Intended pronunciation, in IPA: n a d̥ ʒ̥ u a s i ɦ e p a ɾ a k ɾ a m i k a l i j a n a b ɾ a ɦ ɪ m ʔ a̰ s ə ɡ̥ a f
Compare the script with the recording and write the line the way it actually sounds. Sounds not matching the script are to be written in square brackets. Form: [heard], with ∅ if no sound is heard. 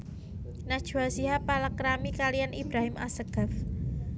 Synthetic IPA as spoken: n a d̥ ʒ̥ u a s i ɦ [a] p a [l] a k ɾ a m i k a l i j a n [i] b ɾ a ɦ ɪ m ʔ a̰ s ə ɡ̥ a f